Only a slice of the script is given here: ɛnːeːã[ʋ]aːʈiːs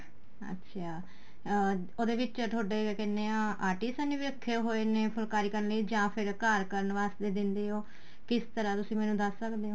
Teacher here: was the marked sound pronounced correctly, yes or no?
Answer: no